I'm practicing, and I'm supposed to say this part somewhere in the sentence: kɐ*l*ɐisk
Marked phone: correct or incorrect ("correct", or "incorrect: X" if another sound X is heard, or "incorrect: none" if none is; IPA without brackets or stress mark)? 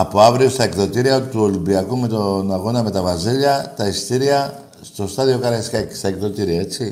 incorrect: ɾ